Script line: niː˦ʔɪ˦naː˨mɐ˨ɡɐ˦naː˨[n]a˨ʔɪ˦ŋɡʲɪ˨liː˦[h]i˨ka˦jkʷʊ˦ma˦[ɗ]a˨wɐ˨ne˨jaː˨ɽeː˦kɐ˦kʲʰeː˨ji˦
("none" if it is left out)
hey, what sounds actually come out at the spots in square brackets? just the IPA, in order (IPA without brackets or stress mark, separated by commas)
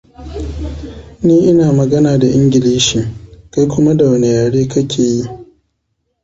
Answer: d, ʃ, d